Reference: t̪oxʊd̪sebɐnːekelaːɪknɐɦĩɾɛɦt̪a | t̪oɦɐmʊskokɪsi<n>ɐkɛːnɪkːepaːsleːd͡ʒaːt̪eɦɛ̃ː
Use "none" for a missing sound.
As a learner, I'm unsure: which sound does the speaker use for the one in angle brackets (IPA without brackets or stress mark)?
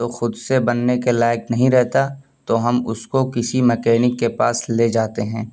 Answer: m